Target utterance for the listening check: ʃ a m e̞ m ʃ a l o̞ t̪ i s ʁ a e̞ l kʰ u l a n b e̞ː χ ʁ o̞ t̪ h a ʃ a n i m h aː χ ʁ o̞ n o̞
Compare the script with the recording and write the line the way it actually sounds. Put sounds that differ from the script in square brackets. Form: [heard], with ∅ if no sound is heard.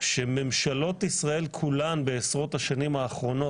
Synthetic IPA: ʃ [e] m e̞ m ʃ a l o̞ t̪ i s ʁ a e̞ l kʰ u l a n b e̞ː [s] ʁ o̞ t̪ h a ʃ a n i m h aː χ ʁ o̞ n o̞